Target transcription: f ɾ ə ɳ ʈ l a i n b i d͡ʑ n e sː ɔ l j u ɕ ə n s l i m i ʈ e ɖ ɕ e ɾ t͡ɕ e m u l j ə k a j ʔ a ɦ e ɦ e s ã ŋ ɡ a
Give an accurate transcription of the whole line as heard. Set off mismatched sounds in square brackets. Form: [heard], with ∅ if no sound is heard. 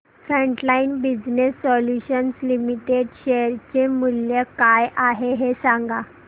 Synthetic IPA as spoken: f ɾ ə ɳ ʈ l a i n b i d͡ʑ n e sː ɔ l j u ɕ ə n s l i m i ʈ e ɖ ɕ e ɾ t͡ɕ e m u l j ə k a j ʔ a ɦ e ɦ e s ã ŋ ɡ a